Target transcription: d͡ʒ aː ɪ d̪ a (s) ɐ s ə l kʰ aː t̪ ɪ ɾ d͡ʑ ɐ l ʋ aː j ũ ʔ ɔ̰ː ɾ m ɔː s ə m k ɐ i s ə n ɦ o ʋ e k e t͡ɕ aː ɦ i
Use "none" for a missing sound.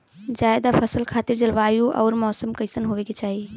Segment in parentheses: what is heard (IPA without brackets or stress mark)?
f